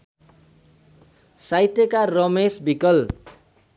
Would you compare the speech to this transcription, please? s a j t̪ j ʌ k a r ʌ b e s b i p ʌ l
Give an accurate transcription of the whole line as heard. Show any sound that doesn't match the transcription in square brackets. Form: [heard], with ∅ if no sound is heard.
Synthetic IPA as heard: s a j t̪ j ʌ k a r ʌ [m] e s b i [k] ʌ l

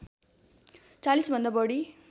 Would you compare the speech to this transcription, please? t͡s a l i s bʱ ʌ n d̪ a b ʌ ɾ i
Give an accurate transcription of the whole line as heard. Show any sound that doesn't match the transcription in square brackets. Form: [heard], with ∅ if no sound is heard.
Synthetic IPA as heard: t͡s a l i s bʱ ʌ n d̪ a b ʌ [ɽ] i

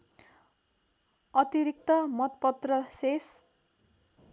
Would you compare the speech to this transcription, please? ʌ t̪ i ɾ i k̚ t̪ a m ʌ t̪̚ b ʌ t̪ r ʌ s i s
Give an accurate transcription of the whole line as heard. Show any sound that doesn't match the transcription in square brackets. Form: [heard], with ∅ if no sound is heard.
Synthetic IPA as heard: ʌ t̪ i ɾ i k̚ t̪ [ʌ] m ʌ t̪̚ [p] ʌ t̪ r ʌ s [e] s

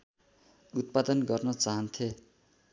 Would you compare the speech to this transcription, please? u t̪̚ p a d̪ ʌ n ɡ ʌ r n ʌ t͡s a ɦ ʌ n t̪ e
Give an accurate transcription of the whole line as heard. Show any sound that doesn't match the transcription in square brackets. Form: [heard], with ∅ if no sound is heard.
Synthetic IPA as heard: u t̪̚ p a d̪ ʌ n ɡ ʌ r n ʌ t͡s a ɦ ʌ n [t̪ʰ] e

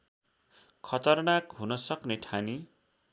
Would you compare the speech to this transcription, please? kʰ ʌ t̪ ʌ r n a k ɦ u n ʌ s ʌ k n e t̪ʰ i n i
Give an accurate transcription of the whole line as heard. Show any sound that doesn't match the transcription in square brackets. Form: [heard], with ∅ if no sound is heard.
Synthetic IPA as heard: kʰ ʌ t̪ ʌ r n a k ɦ u n ʌ s ʌ k n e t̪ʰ [a] n i

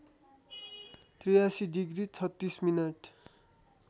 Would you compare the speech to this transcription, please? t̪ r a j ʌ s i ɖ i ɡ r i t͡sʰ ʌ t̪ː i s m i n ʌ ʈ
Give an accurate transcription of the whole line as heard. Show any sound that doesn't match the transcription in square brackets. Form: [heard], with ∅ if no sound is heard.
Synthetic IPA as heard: t̪ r [i] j [a] s i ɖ i ɡ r i t͡sʰ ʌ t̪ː i s m i n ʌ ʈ

